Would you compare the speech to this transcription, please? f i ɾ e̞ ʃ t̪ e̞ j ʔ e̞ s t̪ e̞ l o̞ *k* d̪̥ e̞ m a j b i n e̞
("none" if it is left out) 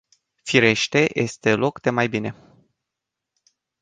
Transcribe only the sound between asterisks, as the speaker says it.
k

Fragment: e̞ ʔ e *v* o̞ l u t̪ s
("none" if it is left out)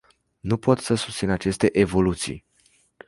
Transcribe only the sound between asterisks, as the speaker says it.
v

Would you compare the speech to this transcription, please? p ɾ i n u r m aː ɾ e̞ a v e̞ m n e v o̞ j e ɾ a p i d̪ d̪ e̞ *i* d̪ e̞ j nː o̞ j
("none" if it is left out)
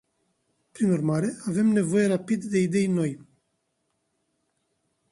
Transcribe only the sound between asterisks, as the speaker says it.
i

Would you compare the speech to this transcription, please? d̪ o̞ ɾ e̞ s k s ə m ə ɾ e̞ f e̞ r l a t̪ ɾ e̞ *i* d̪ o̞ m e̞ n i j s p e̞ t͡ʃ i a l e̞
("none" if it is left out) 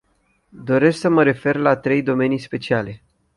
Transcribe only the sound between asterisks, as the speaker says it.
j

